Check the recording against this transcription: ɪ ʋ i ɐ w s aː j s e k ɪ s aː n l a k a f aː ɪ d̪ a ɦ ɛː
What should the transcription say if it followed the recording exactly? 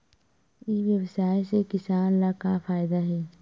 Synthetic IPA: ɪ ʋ j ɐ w s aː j s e k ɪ s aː n l a k a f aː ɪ d̪ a ɦ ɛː